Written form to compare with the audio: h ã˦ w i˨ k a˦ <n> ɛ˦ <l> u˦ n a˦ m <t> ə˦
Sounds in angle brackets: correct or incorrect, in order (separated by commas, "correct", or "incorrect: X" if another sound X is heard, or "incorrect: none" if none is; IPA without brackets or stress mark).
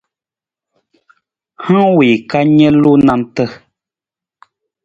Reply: incorrect: ɲ, correct, correct